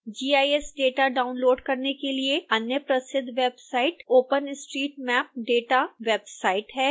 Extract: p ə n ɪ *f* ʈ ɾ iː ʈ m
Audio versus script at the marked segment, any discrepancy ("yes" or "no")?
yes